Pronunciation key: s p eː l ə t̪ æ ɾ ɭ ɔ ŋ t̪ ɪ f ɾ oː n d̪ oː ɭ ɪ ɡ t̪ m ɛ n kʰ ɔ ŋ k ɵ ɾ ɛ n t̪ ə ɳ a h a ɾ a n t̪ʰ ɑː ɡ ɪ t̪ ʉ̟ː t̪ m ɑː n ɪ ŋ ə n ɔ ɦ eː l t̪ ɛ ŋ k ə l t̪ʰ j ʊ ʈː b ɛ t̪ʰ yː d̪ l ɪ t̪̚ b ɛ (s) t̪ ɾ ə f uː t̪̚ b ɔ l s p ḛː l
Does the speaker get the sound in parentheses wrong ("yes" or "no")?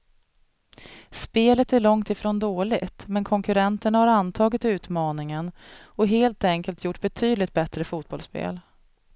yes